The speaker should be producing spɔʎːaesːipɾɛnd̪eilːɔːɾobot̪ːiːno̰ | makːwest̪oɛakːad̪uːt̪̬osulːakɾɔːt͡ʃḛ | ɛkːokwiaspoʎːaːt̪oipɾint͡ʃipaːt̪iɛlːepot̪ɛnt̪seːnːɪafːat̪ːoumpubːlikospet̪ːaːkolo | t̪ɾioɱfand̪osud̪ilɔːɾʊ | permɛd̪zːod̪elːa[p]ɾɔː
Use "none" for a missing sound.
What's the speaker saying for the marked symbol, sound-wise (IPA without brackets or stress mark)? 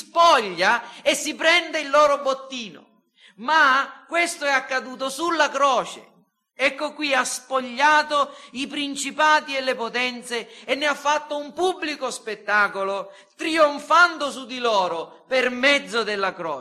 k